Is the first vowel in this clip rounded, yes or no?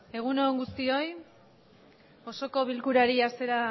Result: no